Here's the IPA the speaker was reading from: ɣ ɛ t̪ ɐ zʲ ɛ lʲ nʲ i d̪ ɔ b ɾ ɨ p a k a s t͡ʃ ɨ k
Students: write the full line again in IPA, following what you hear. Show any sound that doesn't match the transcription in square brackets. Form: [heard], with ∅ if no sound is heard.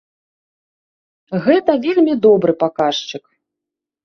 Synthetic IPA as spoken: ɣ ɛ t̪ ɐ [vʲ] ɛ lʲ [mʲ] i d̪ ɔ b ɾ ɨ p a k a [ʂ] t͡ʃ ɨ k